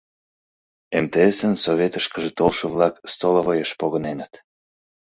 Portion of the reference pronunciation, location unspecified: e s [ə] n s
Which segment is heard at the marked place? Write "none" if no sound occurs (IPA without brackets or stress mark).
ə